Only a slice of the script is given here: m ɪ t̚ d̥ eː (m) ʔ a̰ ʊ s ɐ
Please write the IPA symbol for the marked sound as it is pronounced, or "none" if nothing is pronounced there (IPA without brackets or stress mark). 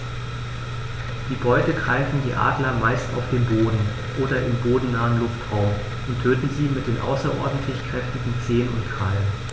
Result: n